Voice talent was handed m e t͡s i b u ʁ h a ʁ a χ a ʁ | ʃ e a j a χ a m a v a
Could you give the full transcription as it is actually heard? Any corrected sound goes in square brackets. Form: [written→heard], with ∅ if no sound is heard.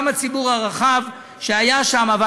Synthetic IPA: m [e→a] t͡s i b u ʁ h a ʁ a χ a [ʁ→v] | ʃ e a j a [χ→ʃ] a m a v a